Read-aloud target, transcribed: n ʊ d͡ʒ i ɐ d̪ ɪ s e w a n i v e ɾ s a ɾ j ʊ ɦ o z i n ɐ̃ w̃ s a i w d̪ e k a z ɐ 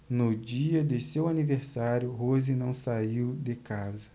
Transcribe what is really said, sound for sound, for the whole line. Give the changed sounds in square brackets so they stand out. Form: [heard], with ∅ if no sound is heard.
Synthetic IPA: n ʊ d͡ʒ i ɐ d̪ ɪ s e w a n i v e ɾ s a ɾ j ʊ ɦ o z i n ɐ̃ w̃ s a i w d̪ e k a z ɐ